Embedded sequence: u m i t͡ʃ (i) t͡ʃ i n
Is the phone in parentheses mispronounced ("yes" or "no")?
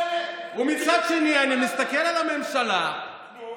yes